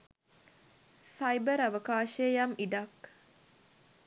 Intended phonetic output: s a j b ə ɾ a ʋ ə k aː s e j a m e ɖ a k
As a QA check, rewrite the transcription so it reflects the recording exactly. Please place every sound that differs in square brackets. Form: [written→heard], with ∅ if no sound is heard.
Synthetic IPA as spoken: s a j b ə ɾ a ʋ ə k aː [s→ʃ] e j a m [e→i] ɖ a k